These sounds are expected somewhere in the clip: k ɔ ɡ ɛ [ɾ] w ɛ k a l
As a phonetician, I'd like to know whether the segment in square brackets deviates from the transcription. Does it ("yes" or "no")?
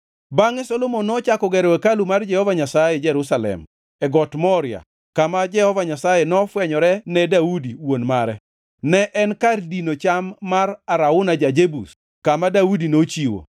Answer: no